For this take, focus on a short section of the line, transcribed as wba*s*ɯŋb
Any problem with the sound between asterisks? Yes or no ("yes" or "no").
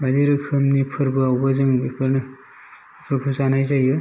yes